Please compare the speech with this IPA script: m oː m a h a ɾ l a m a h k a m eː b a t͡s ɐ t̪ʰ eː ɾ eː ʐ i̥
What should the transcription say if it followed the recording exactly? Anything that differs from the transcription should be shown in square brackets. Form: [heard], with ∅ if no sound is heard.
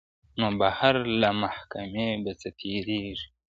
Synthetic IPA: [n] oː [b] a h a ɾ l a m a h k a m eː b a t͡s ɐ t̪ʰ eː ɾ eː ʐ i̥